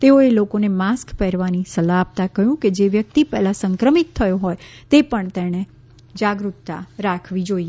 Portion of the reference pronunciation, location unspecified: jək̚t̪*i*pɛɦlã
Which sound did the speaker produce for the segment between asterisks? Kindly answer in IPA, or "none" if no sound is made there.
i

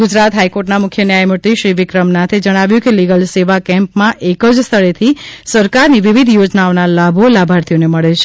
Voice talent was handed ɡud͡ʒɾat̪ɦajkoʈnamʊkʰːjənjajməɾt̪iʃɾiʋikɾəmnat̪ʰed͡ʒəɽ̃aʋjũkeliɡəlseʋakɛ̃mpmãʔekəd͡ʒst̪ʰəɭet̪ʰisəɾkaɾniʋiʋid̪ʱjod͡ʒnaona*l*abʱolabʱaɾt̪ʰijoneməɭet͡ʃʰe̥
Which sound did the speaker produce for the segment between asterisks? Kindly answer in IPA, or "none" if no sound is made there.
l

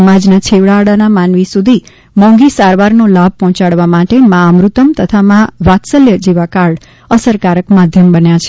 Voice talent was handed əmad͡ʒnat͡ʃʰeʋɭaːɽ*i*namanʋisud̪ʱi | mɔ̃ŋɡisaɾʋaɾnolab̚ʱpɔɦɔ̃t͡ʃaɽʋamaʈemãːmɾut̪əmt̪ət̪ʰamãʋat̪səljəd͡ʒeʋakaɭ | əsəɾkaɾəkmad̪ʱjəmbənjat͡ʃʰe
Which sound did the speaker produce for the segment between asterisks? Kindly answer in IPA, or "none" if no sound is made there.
a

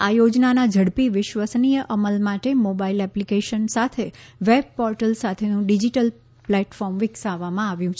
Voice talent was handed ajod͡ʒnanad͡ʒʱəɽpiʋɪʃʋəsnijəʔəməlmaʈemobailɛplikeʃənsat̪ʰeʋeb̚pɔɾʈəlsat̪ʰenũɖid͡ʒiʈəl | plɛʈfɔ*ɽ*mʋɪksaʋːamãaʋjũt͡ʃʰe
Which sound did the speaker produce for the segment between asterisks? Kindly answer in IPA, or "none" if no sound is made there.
ɾ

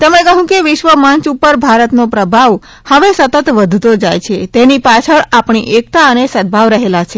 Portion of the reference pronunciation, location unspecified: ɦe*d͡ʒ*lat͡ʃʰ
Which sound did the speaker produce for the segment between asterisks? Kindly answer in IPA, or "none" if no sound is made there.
none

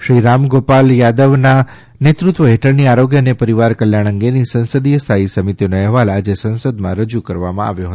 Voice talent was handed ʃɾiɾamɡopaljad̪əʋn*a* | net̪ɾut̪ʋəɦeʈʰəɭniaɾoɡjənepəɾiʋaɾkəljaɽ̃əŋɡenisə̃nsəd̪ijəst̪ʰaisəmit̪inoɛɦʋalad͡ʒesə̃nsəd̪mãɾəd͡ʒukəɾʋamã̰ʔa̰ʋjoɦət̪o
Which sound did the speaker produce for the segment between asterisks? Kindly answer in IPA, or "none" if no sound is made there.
a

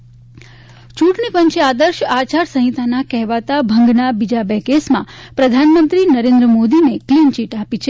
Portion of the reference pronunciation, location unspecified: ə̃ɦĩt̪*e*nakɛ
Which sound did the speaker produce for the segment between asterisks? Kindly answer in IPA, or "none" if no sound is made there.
a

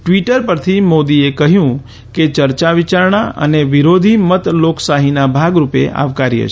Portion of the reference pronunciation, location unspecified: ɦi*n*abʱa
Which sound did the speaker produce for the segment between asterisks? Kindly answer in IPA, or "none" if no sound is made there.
n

